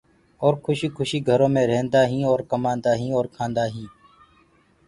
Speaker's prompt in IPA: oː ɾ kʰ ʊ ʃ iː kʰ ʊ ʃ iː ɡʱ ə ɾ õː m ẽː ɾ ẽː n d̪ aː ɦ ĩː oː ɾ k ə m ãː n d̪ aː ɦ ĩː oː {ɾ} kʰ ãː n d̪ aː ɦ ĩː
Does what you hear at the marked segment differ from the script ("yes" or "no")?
no